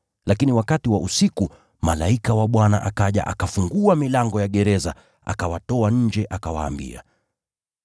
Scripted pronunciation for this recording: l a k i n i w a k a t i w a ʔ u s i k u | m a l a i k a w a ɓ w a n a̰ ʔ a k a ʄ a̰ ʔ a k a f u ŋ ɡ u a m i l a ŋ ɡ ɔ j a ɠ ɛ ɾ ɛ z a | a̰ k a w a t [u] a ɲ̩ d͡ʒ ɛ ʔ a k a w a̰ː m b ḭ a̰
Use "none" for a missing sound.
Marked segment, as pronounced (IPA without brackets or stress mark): ɔ